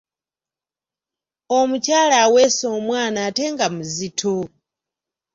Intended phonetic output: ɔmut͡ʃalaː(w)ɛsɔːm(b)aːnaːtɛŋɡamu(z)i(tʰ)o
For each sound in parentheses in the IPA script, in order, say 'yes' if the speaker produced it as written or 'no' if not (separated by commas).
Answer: yes, no, yes, yes